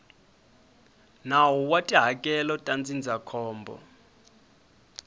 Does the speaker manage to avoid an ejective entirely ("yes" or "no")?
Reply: no